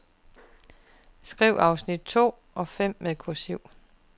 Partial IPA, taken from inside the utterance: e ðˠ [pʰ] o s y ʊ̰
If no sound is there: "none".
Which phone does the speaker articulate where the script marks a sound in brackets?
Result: kʰ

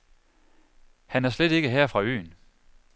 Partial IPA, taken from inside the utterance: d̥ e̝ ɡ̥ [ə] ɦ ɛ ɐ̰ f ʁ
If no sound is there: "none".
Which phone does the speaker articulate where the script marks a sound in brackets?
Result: ə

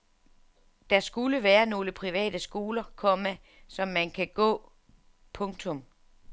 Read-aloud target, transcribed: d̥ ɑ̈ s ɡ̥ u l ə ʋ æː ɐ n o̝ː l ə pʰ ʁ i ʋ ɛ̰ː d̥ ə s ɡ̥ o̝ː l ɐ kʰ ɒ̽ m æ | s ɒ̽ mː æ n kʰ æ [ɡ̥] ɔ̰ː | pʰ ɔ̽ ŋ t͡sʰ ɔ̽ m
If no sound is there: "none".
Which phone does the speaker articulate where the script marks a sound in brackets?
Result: ɡ̥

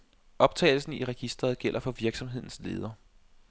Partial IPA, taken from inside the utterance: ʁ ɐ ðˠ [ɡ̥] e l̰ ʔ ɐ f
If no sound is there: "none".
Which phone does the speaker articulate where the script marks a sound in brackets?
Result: ɡ̥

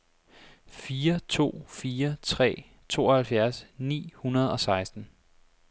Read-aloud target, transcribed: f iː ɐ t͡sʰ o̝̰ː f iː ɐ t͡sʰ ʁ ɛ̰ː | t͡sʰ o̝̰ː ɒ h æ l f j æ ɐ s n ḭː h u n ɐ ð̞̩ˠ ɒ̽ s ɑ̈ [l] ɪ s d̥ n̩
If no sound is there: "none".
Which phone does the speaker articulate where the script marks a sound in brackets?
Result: none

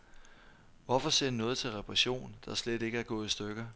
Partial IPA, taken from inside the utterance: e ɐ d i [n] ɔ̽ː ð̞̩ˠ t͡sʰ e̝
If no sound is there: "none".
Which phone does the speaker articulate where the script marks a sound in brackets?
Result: n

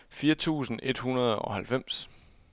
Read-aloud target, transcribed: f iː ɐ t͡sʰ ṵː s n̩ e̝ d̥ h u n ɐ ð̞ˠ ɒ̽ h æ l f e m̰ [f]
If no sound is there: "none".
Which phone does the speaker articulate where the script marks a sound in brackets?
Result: s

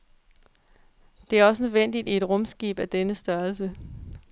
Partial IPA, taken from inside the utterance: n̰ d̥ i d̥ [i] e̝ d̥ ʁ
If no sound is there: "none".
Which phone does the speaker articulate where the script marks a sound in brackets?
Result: i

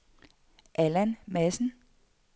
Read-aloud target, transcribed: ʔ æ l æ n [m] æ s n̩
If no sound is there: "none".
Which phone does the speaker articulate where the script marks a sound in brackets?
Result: m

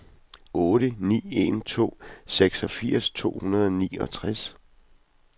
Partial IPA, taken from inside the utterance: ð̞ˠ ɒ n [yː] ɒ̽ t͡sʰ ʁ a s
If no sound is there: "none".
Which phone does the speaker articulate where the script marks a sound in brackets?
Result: iː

